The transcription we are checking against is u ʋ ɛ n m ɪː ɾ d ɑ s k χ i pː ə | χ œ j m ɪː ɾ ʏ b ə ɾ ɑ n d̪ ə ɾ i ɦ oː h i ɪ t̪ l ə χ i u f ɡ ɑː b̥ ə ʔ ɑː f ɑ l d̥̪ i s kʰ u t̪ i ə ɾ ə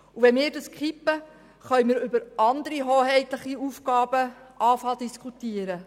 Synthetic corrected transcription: u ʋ ɛ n m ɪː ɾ d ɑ s k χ i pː ə | χ œ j m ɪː ɾ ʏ b ə ɾ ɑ n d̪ ə ɾ i ɦ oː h ɛ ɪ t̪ l ə χ i u f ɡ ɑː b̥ ə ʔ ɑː f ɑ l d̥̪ i s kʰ u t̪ i ə ɾ ə

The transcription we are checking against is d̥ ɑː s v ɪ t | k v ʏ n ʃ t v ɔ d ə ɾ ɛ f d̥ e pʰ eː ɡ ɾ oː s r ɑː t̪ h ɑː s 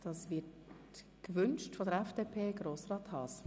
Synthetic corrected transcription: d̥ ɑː s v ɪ t | k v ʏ n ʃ t f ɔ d ə ɾ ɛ f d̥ e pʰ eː ɡ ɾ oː s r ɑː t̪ h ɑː s

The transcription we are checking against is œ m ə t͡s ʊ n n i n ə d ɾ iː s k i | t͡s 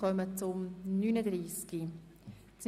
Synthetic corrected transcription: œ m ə t͡s ʊ m n y n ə d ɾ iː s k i | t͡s

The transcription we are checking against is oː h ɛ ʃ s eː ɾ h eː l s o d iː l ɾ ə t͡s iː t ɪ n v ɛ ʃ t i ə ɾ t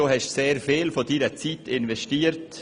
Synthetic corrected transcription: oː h ɛ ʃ s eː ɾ f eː l f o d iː ɾ ə t͡s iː t ɪ n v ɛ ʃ t iː ə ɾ t

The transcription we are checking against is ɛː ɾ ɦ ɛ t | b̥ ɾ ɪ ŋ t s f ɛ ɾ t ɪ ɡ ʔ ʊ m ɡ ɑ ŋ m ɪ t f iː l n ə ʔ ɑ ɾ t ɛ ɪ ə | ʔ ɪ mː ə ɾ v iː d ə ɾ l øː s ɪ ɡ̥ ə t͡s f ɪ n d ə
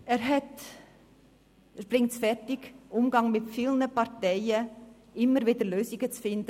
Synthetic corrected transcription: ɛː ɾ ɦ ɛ t | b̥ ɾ ɪ ŋ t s f ɛ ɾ t ɪ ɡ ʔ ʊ m ɡ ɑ ŋ m ɪ t f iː l n ə p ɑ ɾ t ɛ ɪ ə | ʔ ɪ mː ə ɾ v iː d ə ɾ l øː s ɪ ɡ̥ ə t͡s f ɪ n d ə

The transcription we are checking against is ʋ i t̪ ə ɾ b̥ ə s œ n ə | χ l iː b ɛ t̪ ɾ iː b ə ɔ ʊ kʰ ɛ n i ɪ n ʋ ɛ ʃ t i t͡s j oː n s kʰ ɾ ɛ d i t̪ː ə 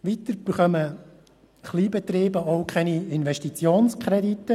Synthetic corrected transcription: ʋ i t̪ ə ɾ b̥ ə χ œ m ə | χ l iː b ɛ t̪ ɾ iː b ə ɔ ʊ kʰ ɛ n i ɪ n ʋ ɛ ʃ t i t͡s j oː n s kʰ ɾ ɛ d i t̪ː ə

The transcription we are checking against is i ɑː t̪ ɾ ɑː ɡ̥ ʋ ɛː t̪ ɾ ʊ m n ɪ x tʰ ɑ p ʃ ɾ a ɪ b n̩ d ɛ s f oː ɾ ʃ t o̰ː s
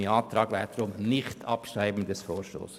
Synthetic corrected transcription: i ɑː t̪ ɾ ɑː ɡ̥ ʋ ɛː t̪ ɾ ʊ m n ɪ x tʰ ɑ p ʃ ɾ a ɪ b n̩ d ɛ s f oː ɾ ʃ t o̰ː s

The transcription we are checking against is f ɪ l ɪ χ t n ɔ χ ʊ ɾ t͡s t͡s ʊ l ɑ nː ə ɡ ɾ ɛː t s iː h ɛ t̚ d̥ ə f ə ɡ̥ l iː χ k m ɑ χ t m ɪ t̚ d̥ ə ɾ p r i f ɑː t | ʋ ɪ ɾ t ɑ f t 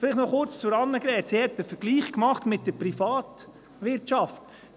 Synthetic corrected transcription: f ɪ l ɪ χ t n ɔ χ ʊ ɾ t͡s t͡s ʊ ɾ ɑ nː ə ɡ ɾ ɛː t s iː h ɛ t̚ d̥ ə f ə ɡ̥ l iː χ k m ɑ χ t m ɪ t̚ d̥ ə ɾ p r i f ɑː t | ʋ ɪ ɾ t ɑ f t

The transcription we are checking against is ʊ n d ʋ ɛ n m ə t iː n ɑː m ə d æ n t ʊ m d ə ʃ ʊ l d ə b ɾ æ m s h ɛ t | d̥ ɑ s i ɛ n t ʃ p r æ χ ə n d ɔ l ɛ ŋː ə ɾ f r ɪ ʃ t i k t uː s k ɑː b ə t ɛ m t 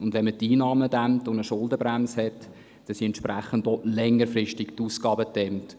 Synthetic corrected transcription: ʊ n d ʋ ɛ n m ə t iː n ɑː m ə d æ m t ʊ n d ə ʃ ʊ l d ə b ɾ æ m s h ɛ t | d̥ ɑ s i ɛ n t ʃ p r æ χ ə n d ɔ l ɛ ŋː ə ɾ f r ɪ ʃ t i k t uː s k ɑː b ə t ɛ m t

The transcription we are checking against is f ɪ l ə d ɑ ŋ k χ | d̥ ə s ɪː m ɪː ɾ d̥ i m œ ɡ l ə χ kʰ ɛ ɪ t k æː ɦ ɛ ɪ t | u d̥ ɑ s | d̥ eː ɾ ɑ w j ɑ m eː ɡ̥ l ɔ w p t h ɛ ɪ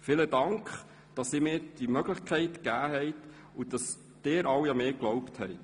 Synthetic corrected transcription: f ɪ l ə d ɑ ŋ k χ | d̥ ɑ s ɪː m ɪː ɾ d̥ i m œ ɡ l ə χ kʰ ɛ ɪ t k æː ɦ ɛ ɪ t | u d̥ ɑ s | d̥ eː ɾ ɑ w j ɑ m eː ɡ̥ l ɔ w p t h ɛ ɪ

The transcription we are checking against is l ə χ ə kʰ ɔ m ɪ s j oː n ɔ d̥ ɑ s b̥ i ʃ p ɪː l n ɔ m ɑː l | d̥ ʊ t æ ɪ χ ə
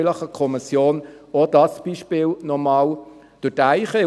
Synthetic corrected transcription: l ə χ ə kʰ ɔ m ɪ s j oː n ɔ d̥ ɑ s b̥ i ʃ p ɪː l n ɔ m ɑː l | d̥ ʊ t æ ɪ χ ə

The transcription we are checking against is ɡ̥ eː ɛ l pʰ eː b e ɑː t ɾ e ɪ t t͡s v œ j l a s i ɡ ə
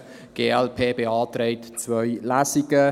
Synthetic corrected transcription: ɡ̥ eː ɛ l pʰ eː b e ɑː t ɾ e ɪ t t͡s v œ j l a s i ɡ ə

